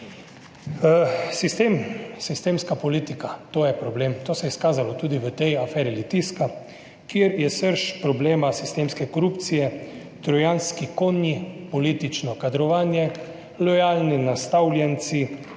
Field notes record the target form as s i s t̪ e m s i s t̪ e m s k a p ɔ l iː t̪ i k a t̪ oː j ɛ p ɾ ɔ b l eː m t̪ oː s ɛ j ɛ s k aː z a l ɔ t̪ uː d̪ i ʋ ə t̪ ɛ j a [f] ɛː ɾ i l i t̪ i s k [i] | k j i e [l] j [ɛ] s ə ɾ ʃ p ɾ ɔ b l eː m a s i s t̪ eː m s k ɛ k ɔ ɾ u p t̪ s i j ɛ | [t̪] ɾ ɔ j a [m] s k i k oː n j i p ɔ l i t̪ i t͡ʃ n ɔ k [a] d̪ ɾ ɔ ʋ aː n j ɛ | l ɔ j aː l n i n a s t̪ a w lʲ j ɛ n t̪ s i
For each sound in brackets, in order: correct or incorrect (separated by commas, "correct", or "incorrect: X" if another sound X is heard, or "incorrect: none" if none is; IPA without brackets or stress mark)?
correct, incorrect: a, incorrect: ɾ, correct, correct, incorrect: n, correct